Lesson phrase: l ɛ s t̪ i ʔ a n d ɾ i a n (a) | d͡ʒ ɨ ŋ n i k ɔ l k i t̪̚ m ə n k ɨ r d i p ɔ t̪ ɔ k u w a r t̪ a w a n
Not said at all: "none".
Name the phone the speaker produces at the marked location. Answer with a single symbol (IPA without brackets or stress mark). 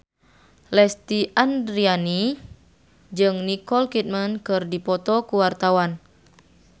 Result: i